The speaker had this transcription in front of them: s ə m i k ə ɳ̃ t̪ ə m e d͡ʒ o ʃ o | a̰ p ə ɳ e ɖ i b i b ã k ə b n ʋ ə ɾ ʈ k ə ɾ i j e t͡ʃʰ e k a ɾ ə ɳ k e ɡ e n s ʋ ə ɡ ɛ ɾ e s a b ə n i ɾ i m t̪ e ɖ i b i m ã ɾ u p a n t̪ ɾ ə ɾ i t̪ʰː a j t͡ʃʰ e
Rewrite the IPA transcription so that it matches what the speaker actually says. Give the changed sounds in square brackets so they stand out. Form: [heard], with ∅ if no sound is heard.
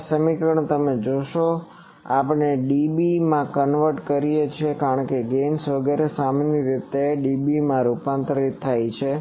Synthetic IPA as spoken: s ə m i k ə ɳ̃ t̪ ə m e d͡ʒ o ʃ o | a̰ p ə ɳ e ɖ i b i [m] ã k ə [∅] n ʋ ə ɾ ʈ k ə ɾ i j e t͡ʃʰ e k a ɾ ə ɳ k e ɡ e n s ʋ ə ɡ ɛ ɾ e s a [m] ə n i ɾ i [∅] t̪ e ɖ i b i m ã ɾ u p a n t̪ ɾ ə ɾ i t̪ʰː a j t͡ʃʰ e